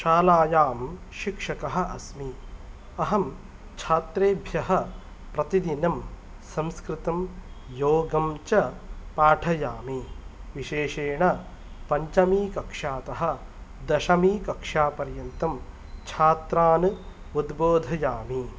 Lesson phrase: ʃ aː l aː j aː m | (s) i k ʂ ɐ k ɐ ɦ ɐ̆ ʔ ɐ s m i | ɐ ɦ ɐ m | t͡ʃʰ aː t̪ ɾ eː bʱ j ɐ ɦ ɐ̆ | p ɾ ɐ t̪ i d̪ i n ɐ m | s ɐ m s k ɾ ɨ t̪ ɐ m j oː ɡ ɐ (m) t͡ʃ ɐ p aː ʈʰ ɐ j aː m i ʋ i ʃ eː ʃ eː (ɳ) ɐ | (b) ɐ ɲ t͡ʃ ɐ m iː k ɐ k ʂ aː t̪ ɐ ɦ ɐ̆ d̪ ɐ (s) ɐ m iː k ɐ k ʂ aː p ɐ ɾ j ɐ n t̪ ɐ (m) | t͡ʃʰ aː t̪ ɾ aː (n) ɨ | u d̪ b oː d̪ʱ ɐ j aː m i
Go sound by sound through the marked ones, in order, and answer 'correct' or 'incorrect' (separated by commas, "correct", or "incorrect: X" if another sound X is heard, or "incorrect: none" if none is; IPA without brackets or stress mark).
incorrect: ʃ, correct, correct, incorrect: p, incorrect: ʃ, correct, correct